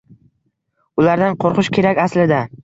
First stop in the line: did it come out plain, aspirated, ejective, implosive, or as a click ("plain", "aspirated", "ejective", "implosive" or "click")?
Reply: plain